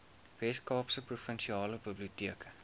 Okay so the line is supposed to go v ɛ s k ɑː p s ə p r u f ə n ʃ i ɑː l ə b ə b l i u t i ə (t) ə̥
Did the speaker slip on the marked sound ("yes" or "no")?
yes